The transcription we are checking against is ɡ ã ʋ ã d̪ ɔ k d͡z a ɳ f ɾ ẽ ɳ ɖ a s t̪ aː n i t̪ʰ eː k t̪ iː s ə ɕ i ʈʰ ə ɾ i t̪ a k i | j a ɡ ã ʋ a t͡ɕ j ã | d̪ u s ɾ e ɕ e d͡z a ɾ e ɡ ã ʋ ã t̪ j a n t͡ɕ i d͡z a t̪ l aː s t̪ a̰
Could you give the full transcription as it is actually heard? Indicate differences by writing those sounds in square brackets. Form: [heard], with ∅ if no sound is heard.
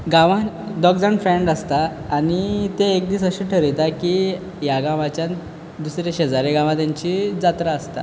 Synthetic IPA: ɡ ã ʋ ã d̪ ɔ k d͡z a ɳ f ɾ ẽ ɳ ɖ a s t̪ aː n i [t̪] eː k [d̪] iː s ə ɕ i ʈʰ ə ɾ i t̪ a k i | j a ɡ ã ʋ a t͡ɕ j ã | d̪ u s ɾ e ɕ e d͡z a ɾ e ɡ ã ʋ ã t̪ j a [ɲ] t͡ɕ i d͡z a t̪ [ɾ] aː s t̪ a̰